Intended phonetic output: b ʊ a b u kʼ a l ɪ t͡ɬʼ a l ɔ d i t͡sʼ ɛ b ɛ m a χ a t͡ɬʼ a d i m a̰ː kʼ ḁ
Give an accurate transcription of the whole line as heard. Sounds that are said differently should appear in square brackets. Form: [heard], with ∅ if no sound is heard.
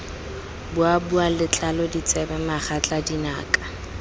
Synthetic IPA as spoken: b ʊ a b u [∅] a l ɪ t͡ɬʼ a l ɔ d i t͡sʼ ɛ b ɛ m a χ a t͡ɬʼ a d i [n] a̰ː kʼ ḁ